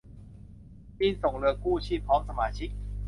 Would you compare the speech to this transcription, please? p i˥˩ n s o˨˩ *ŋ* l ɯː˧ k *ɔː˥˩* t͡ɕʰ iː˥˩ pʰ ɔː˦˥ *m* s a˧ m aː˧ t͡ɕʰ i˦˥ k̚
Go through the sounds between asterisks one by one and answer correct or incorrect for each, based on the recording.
correct, incorrect: uː˥˩, incorrect: ŋ

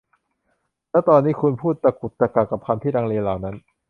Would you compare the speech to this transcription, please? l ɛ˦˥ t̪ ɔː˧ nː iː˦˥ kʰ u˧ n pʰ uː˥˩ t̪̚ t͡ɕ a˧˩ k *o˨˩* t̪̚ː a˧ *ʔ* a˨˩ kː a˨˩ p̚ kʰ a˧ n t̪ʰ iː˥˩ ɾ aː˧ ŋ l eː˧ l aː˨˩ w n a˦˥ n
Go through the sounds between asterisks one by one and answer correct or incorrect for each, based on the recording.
incorrect: u˨˩, incorrect: k

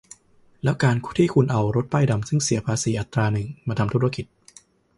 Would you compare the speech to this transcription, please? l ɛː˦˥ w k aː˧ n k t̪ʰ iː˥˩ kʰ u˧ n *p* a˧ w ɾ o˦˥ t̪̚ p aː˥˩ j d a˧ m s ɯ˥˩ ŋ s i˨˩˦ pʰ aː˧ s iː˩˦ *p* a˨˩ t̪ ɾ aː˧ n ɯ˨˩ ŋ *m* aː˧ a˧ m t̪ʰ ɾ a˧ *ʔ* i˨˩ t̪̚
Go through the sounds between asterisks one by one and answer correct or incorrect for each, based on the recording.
incorrect: ʔ, incorrect: ʔ, correct, incorrect: k

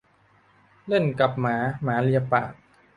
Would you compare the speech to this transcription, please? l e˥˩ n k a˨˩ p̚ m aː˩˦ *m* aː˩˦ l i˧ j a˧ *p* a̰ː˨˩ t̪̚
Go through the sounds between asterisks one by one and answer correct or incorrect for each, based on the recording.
correct, correct

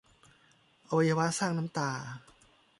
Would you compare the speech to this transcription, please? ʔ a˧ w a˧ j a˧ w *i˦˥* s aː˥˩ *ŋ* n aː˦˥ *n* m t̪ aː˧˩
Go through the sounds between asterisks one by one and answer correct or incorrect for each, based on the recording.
incorrect: a˦˥, correct, incorrect: none

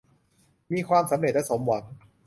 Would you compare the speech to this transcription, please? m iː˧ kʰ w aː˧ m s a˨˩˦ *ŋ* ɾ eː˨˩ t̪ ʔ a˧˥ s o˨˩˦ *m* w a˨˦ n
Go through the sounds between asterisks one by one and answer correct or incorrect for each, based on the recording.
incorrect: m, correct

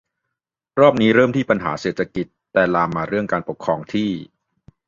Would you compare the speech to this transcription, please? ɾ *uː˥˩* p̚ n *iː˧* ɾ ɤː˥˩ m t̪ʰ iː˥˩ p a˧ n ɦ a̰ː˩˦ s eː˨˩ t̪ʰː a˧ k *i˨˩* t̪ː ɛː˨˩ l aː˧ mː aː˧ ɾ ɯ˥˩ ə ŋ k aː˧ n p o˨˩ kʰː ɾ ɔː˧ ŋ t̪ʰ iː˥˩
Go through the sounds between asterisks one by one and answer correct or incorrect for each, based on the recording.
incorrect: ɔː˥˩, incorrect: iː˦˥, correct

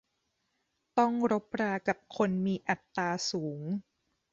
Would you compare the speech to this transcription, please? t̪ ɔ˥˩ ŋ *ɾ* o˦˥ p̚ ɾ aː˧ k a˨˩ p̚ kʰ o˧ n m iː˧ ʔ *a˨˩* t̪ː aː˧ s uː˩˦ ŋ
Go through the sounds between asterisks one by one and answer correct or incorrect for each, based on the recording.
correct, correct

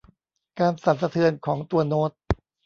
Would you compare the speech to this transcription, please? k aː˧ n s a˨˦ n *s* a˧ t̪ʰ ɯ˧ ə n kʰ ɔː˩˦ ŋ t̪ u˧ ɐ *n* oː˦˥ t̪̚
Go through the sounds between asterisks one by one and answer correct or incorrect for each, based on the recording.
correct, correct

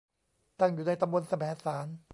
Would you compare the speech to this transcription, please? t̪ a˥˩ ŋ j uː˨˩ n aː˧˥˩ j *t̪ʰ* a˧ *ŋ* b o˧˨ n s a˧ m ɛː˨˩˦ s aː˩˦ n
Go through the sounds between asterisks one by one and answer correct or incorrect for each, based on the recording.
incorrect: t̪, incorrect: m

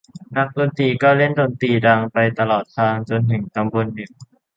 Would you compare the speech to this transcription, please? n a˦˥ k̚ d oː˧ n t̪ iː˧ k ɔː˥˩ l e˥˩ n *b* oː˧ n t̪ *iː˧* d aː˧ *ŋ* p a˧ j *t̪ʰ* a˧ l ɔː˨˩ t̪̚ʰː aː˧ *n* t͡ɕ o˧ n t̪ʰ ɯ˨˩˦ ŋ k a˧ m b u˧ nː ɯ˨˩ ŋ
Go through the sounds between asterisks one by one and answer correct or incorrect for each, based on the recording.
incorrect: d, correct, correct, incorrect: t̪, incorrect: ŋ

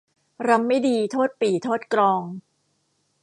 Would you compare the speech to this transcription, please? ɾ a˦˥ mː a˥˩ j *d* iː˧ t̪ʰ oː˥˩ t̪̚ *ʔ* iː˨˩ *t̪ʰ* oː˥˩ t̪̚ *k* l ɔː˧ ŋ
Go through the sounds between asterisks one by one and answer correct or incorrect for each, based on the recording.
correct, incorrect: p, correct, correct

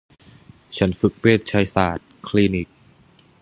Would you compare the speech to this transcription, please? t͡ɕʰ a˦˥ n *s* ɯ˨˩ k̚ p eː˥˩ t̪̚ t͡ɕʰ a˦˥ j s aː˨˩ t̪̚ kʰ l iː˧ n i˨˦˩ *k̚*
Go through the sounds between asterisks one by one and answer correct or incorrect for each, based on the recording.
incorrect: f, correct

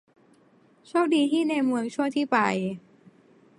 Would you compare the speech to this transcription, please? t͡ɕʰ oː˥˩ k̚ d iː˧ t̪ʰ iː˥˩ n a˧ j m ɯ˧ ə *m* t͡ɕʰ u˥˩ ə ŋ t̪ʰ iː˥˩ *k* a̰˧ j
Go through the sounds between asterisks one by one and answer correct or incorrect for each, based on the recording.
incorrect: ŋ, incorrect: p

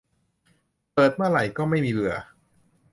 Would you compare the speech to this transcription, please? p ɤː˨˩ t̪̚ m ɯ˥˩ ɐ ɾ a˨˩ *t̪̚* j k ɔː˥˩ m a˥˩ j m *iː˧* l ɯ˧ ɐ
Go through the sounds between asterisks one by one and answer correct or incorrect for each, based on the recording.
incorrect: none, correct

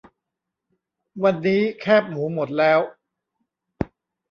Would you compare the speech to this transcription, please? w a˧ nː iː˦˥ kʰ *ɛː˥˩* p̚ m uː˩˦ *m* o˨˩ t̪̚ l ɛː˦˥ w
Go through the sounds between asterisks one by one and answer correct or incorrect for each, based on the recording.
correct, correct

